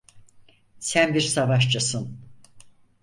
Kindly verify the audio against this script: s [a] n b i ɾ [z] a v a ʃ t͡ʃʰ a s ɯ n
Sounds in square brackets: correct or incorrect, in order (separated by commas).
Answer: incorrect, incorrect